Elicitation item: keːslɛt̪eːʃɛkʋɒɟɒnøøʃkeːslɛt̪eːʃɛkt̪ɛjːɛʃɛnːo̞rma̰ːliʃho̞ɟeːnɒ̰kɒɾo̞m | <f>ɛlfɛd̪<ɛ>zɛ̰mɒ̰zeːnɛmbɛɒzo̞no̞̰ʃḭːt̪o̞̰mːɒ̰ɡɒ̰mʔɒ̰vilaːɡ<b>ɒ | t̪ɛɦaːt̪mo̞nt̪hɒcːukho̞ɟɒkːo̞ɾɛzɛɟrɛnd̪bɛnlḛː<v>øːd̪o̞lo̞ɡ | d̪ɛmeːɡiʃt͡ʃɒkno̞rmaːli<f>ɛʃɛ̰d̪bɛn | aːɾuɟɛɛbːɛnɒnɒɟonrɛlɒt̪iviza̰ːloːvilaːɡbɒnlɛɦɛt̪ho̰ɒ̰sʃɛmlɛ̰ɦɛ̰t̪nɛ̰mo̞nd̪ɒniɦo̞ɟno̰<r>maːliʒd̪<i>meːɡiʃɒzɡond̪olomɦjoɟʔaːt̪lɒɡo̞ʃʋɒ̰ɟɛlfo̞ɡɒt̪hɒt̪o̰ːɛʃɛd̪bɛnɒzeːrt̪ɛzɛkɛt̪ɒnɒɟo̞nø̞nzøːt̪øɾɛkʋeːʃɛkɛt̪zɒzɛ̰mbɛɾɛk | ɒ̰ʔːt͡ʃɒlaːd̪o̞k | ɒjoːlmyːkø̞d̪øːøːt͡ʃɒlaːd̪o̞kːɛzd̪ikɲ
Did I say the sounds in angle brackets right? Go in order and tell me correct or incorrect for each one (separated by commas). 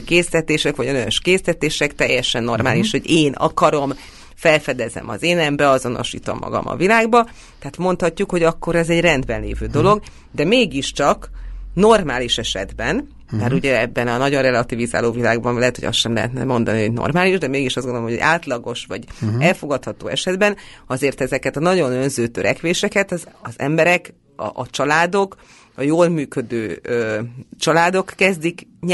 correct, correct, correct, correct, incorrect, correct, incorrect